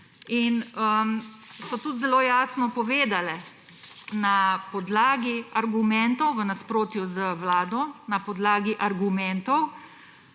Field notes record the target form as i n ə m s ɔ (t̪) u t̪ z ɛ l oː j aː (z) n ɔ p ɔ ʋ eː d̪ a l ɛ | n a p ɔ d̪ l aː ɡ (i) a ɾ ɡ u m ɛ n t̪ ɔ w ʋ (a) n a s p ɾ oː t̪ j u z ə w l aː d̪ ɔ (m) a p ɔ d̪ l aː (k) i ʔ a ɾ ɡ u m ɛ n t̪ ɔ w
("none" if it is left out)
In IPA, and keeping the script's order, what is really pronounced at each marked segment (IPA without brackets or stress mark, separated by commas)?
t̪, s, i, ə, n, ɡ